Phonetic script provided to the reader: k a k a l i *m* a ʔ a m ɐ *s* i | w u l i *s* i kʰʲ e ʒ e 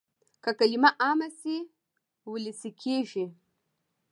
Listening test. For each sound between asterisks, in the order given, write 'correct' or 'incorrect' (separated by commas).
correct, correct, correct